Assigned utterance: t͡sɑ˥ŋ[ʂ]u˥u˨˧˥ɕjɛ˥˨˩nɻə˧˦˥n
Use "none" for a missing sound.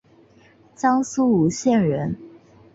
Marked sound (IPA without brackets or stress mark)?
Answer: s